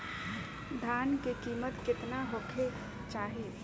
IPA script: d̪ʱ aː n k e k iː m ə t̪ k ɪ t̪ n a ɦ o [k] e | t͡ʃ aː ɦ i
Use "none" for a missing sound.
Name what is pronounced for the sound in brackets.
kʰ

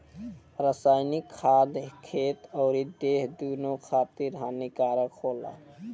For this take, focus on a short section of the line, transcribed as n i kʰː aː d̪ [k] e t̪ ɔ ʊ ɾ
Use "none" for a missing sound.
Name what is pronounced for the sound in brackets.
kʰ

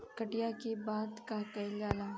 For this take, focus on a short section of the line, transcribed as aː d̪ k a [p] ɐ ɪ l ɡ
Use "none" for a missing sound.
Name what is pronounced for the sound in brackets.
k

